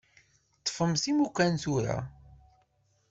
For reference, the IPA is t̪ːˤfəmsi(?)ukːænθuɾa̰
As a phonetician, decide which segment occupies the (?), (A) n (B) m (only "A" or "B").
B